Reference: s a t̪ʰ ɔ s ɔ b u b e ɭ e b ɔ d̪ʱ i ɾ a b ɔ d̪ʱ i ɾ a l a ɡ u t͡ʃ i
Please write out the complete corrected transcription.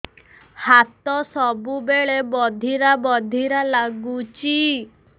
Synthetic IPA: h a t̪ ɔ s ɔ b u b e ɭ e b ɔ d̪ʱ i ɾ a b ɔ d̪ʱ i ɾ a l a ɡ u t͡ʃ i